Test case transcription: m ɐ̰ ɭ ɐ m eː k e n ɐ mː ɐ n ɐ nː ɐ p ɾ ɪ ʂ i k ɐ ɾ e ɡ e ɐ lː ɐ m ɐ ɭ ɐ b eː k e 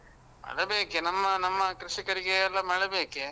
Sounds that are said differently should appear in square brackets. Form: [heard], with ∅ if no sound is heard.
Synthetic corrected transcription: m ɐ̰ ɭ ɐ [b] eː k e n ɐ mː ɐ n ɐ [mː] ɐ [k] ɾ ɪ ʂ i k ɐ ɾ [i] ɡ e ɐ lː ɐ m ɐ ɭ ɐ b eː k e